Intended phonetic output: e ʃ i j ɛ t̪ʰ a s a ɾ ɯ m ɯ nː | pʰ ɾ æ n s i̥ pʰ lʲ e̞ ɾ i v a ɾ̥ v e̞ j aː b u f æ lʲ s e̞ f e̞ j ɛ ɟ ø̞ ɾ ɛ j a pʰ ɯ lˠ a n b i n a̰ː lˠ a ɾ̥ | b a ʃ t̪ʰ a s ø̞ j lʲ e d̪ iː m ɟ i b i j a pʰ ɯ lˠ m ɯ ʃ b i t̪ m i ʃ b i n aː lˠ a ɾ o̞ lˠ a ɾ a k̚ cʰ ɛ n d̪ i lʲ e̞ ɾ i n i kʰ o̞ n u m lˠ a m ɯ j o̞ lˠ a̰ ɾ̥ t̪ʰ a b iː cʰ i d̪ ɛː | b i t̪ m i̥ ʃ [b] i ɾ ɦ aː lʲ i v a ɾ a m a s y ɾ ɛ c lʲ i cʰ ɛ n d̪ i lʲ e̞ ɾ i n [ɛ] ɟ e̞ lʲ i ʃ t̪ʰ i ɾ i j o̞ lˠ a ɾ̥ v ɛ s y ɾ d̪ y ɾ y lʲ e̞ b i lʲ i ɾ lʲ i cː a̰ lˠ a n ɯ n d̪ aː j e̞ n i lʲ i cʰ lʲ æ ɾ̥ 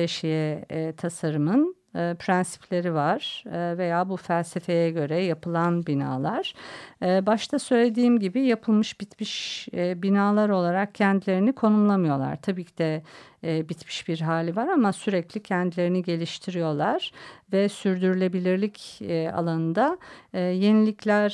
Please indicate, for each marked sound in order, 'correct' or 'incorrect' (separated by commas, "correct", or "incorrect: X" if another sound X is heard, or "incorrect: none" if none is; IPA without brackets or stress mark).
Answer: correct, incorrect: i